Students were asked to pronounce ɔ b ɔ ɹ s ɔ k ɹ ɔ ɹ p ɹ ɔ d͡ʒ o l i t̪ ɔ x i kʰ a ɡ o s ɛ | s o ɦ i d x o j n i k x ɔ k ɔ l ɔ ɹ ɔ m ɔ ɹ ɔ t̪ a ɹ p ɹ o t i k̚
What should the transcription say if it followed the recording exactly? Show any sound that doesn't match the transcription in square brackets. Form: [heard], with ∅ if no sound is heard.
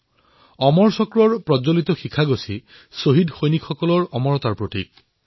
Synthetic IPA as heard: ɔ [m] ɔ ɹ s ɔ k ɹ ɔ ɹ p ɹ ɔ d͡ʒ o l i t̪ ɔ x i kʰ a ɡ o s [i] | s o ɦ i d x o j n i k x ɔ k ɔ l ɔ ɹ ɔ m ɔ ɹ ɔ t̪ a ɹ p ɹ o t i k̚